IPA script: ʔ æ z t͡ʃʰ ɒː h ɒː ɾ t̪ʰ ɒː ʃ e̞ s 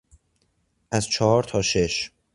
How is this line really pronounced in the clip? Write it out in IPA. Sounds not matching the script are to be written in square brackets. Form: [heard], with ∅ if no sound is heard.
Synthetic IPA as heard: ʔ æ z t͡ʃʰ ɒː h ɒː ɾ t̪ʰ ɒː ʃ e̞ [ʃ]